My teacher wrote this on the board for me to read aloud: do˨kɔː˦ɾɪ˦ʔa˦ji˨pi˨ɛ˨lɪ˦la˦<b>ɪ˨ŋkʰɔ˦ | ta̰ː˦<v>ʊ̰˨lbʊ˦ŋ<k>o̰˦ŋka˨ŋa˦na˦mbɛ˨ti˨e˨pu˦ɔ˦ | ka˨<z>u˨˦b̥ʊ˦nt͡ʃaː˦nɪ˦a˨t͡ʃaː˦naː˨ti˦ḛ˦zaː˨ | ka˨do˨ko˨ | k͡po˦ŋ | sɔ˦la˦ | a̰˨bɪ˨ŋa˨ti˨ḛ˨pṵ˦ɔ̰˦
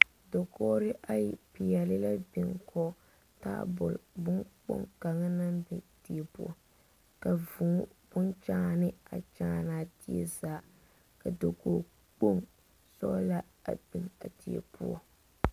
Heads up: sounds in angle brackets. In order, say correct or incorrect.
correct, incorrect: b, incorrect: k͡p, incorrect: v

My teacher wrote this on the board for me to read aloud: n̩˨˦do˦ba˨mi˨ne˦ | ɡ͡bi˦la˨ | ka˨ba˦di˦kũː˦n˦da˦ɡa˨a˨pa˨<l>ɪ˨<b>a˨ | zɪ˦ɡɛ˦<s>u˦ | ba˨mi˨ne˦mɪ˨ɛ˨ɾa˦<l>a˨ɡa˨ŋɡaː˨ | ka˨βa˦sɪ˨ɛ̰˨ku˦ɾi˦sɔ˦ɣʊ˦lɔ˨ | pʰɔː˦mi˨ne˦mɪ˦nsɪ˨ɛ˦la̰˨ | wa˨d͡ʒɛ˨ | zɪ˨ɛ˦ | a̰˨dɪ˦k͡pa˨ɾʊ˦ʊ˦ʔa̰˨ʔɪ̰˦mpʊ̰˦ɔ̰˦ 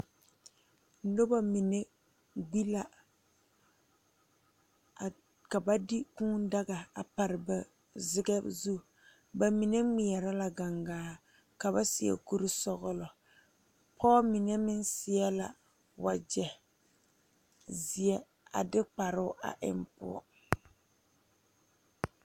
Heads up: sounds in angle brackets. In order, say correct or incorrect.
incorrect: ɾ, correct, incorrect: z, correct

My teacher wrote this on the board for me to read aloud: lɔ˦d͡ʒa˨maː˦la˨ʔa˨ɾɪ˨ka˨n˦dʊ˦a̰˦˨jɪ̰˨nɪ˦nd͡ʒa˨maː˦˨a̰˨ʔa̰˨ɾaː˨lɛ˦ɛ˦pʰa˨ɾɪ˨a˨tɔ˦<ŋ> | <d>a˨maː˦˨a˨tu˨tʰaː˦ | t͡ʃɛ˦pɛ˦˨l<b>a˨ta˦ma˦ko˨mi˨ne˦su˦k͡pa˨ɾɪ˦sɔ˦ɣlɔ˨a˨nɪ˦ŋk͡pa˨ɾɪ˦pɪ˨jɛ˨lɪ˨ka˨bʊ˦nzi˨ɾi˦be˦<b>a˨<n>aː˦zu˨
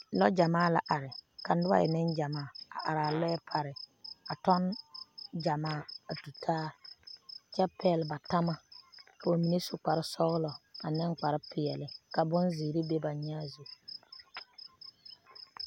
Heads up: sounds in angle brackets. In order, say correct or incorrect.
incorrect: n, incorrect: d͡ʒ, correct, correct, incorrect: ɲ

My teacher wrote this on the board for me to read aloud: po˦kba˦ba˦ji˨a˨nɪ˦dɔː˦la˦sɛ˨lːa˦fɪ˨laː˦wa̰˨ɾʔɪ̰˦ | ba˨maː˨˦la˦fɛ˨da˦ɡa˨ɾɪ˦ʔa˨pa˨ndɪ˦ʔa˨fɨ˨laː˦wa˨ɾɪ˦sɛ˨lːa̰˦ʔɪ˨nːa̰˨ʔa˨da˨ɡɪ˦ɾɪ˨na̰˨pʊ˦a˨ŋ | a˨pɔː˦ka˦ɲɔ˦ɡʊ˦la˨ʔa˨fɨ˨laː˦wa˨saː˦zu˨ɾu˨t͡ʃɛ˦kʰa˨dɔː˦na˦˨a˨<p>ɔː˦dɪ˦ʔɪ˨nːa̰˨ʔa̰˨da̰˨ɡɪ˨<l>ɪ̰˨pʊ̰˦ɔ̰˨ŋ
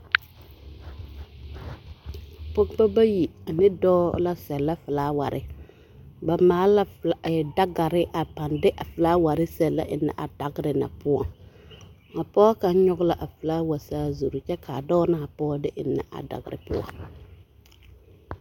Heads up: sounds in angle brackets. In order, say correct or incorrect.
correct, incorrect: ɾ

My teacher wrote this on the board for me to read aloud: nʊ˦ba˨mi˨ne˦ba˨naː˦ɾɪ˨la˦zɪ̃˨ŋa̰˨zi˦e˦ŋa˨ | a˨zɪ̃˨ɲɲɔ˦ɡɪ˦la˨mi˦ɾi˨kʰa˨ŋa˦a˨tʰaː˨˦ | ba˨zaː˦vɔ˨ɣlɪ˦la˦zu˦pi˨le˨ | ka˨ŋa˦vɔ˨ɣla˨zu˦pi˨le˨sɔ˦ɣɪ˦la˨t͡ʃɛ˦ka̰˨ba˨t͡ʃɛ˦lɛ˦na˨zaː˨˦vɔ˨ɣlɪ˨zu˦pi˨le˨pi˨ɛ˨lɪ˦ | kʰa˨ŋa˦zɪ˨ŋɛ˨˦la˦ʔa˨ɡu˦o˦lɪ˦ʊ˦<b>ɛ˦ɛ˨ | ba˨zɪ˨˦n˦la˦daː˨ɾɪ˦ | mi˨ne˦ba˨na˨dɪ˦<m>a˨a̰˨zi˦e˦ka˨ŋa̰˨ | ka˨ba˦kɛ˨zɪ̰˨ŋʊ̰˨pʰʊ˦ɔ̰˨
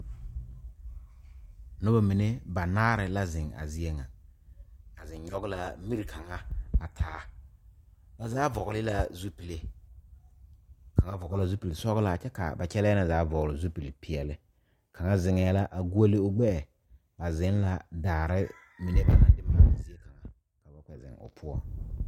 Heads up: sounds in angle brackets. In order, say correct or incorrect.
incorrect: ɡ͡b, correct

